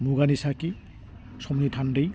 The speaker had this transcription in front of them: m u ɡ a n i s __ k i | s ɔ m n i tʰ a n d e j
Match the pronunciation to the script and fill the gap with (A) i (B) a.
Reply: B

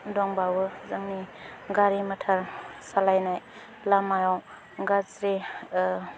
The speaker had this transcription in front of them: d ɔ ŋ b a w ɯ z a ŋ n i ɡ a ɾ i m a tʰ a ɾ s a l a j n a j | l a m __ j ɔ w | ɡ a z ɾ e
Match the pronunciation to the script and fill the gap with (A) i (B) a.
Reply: B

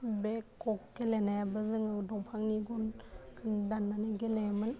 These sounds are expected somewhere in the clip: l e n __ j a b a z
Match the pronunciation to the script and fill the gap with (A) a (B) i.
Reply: A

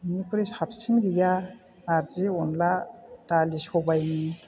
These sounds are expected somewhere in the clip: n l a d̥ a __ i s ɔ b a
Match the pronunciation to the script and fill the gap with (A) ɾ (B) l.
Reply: B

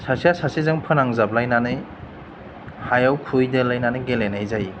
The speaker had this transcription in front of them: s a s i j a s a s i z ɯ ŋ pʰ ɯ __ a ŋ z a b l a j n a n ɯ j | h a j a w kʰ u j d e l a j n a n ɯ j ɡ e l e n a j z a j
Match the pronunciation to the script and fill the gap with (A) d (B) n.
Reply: B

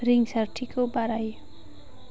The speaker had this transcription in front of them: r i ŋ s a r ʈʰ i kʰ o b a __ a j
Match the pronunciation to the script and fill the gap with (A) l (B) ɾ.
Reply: B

